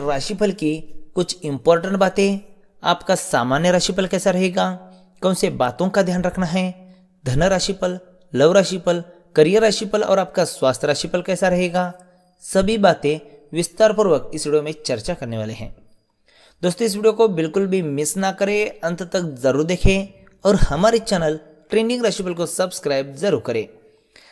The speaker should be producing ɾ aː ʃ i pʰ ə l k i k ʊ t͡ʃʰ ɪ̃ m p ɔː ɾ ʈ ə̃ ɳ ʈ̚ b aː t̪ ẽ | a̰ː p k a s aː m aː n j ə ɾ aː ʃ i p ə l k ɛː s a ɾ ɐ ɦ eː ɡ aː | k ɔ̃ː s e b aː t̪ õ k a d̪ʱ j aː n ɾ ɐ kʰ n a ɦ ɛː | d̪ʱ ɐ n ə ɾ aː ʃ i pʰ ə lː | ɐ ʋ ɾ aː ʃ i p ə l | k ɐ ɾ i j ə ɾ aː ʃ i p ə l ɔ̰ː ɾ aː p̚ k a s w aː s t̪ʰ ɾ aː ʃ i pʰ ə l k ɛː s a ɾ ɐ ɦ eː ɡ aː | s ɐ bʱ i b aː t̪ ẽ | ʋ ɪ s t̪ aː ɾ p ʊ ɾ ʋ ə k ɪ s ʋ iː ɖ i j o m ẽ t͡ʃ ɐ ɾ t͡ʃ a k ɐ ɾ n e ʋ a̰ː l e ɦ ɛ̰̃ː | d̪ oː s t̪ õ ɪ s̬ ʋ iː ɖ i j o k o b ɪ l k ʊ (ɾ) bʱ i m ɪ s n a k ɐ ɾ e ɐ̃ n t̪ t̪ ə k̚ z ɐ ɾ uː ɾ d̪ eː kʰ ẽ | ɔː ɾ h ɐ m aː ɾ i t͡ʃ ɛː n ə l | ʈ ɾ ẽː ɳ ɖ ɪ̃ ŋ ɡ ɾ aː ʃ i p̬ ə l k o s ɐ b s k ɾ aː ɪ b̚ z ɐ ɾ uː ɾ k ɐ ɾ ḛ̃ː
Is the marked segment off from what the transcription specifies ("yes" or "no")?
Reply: yes